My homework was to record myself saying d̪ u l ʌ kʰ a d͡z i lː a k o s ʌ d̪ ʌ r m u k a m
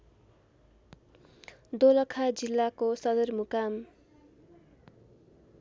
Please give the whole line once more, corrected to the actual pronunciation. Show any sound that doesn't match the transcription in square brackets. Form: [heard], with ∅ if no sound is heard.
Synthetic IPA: d̪ [o] l ʌ kʰ a d͡z i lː a k o s ʌ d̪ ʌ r m u k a m

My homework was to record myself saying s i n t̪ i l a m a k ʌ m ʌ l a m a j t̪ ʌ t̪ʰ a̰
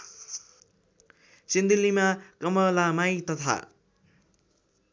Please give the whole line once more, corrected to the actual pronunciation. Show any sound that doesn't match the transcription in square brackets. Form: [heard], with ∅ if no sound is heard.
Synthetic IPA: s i n [d̪] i l [i] m a k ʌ m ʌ l a m a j t̪ ʌ t̪ʰ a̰

